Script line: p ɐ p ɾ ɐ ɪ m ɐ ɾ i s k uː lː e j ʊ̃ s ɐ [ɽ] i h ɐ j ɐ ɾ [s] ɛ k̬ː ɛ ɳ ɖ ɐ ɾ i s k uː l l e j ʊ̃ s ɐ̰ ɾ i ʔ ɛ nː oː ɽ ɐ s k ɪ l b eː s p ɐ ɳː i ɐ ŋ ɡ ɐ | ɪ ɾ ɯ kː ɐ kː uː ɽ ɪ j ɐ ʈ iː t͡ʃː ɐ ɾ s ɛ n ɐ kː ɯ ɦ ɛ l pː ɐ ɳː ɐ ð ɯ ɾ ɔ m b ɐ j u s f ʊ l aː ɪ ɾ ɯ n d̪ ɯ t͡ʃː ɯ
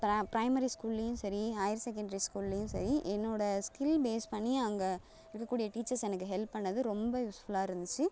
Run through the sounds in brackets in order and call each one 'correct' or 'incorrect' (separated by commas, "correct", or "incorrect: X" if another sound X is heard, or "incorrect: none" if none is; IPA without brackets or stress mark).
incorrect: ɾ, correct